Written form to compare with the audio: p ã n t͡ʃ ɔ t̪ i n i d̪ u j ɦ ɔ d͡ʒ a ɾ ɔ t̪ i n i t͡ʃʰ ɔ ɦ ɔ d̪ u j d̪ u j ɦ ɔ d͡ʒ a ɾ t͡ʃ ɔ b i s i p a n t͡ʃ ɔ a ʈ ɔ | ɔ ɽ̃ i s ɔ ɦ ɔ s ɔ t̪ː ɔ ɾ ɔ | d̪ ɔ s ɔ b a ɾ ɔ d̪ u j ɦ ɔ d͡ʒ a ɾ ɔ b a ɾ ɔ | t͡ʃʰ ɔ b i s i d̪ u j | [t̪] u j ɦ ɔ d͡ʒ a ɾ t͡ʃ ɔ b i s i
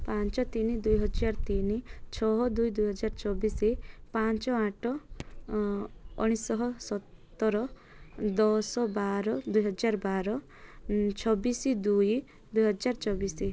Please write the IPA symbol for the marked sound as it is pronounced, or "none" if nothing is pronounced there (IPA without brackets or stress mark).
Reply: d̪